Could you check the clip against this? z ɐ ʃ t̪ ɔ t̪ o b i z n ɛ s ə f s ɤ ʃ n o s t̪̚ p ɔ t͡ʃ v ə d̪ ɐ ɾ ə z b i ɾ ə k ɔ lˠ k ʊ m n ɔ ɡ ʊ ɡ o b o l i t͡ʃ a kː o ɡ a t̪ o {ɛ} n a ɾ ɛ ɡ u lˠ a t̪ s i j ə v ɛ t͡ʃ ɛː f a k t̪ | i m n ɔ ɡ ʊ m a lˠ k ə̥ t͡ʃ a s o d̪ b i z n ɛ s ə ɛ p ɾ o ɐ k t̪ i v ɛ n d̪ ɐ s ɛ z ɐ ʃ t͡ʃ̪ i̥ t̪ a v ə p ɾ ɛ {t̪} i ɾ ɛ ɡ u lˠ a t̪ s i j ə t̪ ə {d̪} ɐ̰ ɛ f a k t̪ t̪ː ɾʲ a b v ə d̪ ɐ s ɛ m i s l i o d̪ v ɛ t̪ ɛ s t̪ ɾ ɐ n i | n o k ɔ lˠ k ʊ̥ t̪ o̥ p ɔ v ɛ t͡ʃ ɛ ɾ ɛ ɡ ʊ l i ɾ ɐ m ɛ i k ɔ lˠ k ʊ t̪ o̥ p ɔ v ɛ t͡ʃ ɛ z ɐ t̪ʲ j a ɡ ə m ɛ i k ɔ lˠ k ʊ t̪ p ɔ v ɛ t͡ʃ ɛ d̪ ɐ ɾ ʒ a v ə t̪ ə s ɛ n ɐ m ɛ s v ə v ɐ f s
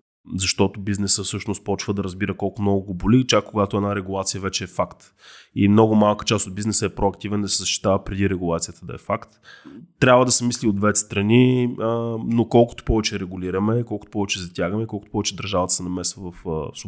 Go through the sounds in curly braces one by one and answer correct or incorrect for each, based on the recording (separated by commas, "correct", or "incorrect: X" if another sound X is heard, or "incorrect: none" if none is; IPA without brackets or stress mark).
correct, incorrect: d̪, correct